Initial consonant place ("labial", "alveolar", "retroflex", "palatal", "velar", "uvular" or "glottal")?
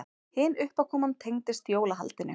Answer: glottal